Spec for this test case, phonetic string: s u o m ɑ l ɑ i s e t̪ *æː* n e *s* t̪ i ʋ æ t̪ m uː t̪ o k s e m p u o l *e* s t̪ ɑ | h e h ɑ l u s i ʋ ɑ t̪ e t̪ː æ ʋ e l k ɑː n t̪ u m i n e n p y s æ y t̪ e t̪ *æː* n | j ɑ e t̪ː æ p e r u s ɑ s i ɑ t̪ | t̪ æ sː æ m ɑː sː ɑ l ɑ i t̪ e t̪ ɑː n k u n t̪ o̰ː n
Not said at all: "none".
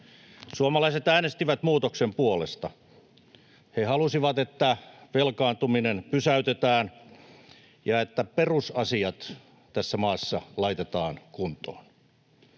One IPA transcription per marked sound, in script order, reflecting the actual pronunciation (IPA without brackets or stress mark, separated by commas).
æː, s, e, æː